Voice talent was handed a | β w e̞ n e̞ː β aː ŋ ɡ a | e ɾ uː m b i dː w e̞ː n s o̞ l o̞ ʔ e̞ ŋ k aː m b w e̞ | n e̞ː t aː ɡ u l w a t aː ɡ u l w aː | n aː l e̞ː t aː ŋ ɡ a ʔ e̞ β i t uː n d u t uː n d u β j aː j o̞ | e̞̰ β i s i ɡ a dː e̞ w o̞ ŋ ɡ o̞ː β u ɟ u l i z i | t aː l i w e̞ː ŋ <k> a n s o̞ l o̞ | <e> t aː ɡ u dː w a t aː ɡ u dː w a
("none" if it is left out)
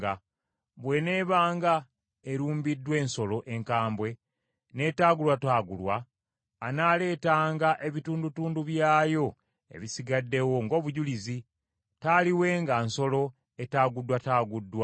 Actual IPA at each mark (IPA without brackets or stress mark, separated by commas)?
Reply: ɡ, e